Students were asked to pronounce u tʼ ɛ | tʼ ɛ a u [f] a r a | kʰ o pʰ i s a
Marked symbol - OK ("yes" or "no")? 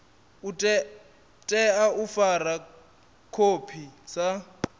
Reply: yes